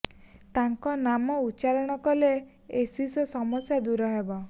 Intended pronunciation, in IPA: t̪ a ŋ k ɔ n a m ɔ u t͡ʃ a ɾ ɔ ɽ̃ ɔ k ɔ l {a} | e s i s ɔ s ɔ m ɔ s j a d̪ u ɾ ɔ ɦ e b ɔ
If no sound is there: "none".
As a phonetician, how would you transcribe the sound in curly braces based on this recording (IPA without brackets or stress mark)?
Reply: e